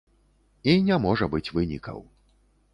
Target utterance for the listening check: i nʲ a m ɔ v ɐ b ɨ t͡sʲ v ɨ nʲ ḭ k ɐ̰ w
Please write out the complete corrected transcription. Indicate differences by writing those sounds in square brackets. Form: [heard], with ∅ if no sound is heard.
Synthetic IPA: i nʲ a m ɔ [ʐ] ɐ b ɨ t͡sʲ v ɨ nʲ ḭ k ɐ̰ w